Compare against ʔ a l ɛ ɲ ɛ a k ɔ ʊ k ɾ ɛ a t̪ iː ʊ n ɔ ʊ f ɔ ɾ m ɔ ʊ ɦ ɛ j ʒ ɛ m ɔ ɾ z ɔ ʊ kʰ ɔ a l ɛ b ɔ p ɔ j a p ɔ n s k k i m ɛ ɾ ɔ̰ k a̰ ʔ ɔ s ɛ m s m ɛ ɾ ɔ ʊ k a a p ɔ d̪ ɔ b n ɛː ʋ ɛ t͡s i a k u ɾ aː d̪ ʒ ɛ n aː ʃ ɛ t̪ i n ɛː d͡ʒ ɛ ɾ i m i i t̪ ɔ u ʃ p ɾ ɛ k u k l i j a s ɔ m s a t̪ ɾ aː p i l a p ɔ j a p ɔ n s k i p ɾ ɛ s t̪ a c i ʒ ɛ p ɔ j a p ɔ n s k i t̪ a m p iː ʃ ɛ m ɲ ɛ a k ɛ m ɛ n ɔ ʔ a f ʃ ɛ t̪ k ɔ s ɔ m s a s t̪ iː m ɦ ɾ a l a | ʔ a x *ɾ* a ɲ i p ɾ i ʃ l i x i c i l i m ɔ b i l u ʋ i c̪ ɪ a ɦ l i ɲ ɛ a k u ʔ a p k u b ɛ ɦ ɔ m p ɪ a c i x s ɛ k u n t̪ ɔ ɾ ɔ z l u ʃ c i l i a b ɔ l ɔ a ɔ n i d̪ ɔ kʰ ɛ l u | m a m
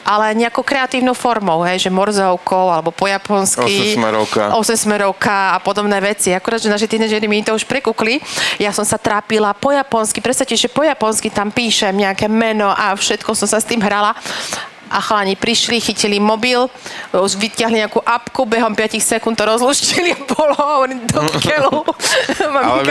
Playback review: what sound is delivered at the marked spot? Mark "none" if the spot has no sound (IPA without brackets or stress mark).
l